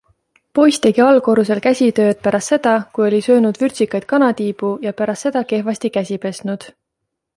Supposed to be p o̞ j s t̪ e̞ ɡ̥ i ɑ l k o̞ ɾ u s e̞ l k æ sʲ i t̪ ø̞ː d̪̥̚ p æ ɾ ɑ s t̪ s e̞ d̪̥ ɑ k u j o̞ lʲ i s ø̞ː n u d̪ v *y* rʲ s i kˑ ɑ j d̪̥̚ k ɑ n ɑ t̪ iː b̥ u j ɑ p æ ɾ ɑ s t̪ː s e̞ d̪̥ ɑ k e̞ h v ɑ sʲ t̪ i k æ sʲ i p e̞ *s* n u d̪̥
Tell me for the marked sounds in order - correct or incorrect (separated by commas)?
correct, correct